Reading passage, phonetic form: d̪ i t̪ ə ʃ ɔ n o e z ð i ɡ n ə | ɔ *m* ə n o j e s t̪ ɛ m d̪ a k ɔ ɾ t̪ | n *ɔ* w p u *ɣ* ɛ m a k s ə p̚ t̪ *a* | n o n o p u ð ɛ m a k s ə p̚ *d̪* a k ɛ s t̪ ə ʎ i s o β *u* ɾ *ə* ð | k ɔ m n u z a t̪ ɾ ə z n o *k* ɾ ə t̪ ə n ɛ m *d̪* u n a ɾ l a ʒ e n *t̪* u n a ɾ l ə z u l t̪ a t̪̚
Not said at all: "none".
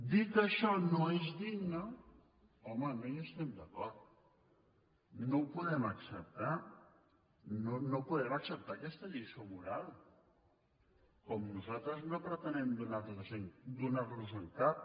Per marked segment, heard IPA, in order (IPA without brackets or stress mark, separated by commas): m, o, ð, a, t̪, u, a, p, d̪, d̪